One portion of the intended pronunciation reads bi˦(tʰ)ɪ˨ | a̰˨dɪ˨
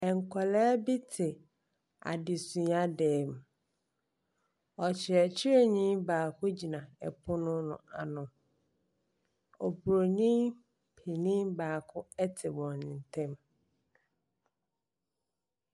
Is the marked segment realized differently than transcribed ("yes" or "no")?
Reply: no